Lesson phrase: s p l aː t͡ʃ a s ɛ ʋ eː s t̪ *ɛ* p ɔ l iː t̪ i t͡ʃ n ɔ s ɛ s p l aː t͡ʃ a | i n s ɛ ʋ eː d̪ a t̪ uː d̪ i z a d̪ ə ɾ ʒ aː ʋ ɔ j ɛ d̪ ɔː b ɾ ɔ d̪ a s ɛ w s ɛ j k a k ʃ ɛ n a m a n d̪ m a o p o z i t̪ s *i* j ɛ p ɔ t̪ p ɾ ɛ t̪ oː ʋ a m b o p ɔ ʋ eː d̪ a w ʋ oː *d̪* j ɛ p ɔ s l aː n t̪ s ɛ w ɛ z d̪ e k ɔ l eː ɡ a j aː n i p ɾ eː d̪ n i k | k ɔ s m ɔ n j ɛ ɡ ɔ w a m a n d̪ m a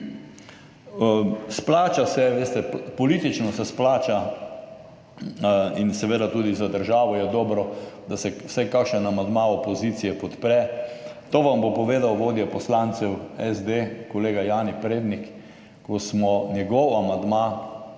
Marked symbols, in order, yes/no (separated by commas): yes, yes, yes